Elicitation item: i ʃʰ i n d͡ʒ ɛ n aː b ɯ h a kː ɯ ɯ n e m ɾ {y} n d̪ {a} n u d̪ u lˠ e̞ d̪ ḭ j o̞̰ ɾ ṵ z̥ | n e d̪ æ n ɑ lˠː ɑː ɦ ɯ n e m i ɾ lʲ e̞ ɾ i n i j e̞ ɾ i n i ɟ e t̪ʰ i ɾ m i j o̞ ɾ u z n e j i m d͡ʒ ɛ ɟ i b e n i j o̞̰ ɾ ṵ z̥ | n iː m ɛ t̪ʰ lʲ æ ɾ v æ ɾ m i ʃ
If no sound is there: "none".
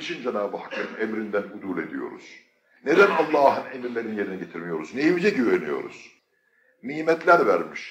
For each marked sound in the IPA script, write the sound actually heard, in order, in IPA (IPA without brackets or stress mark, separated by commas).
i, æ